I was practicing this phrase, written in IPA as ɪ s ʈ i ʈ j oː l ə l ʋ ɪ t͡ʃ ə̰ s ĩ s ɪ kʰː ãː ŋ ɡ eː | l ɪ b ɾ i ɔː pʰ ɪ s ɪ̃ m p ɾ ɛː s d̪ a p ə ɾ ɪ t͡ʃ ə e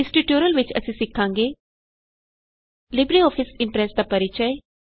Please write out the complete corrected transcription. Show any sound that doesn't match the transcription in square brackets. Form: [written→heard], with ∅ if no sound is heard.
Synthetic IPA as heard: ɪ s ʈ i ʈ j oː [l→ɾ] ə l ʋ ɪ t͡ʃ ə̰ s ĩ s ɪ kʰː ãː ŋ ɡ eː | l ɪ b ɾ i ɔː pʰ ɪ s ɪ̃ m p ɾ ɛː s d̪ a p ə ɾ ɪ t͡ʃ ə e